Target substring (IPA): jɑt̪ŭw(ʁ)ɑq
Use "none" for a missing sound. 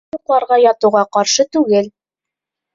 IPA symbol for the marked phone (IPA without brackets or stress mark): ʁ